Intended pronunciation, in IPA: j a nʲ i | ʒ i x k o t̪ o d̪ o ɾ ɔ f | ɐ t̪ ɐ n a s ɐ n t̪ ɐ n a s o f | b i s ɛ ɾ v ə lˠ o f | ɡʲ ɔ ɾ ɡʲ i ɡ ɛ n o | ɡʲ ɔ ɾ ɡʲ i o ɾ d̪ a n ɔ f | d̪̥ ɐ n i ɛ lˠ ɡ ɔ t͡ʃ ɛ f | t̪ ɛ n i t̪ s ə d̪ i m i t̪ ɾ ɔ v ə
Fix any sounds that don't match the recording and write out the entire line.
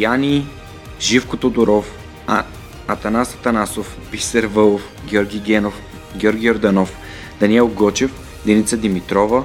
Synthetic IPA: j a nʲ i | ʒ i f k o t̪ o d̪ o ɾ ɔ f | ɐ t̪ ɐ n a s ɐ t̪ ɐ n a s o f | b i s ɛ ɾ v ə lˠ o f | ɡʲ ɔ ɾ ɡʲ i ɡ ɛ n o | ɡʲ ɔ ɾ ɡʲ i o ɾ d̪ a n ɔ f | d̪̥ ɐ n i ɛ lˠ ɡ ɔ t͡ʃ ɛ f | d̪ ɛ n i t̪ s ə d̪ i m i t̪ ɾ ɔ v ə